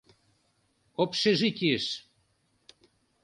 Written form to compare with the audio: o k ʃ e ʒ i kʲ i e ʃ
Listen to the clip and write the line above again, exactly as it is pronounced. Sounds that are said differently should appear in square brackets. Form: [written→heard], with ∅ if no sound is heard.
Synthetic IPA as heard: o [k→p] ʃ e ʒ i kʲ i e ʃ